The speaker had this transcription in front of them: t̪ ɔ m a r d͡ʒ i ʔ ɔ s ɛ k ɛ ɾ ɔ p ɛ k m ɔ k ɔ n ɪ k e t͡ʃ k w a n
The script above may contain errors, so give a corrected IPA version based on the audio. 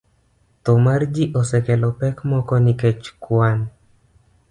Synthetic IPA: t̪ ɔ m a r d͡ʒ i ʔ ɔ s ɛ k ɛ l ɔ p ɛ k m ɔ k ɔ n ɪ k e t͡ʃ k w a n